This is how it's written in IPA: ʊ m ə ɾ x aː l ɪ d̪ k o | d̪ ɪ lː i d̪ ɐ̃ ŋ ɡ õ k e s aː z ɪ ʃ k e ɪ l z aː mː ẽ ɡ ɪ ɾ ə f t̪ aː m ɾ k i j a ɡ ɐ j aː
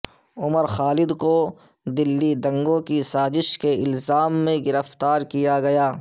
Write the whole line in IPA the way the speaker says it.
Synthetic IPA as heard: ʊ m ə ɾ x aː l ɪ d̪ k o | d̪ ɪ lː i d̪ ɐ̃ ŋ ɡ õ k i s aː z ɪ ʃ k e ɪ l z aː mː ẽ ɡ ɪ ɾ ə f t̪ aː ɾ k i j a ɡ ɐ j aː

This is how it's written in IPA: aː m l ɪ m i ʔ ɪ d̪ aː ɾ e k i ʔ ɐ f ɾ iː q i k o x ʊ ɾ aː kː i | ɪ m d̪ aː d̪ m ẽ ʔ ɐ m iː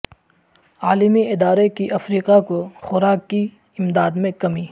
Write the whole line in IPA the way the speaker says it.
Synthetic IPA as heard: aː l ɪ m i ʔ ɪ d̪ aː ɾ e k i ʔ ɐ f ɾ iː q a k o x ʊ ɾ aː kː i | ɪ m d̪ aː d̪ m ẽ k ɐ m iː

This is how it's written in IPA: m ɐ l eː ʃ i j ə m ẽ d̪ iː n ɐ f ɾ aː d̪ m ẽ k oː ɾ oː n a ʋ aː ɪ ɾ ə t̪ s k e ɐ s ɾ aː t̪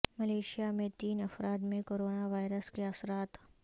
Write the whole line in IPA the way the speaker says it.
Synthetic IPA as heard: m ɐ l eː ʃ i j a m ẽ t̪ iː n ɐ f ɾ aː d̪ m ẽ k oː ɾ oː n a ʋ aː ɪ ɾ ə s k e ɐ s ɾ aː t̪

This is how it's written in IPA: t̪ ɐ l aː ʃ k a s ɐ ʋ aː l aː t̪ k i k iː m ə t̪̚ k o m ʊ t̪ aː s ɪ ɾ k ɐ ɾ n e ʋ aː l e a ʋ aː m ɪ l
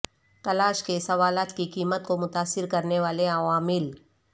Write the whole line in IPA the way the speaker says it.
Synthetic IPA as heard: t̪ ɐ l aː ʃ k e s ɐ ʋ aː l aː t̪ k i k iː m ə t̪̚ k o m ʊ t̪ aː s ɪ ɾ k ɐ ɾ n e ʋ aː l e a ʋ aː m ɪ l

